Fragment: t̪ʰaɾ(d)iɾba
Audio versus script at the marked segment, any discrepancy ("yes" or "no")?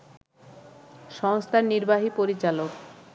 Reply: yes